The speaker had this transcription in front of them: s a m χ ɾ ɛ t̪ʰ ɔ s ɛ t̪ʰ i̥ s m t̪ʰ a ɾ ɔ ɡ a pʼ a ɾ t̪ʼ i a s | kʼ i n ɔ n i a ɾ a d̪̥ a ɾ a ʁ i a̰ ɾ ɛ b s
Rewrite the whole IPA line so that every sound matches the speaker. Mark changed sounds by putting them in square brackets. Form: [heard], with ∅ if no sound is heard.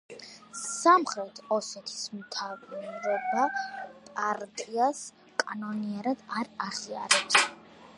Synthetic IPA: s a m χ ɾ ɛ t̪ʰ ɔ s ɛ t̪ʰ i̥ s m t̪ʰ a ɾ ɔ [b] a pʼ a ɾ t̪ʼ i a s | kʼ [a] n ɔ n i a ɾ a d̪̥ a ɾ a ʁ i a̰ ɾ ɛ [p] s